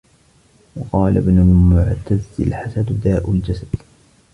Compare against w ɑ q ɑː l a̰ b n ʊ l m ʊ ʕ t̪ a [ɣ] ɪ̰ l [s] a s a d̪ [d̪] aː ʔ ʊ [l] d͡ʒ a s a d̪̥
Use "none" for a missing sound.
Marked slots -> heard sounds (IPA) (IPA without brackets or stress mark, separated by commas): z, ħ, d̪, l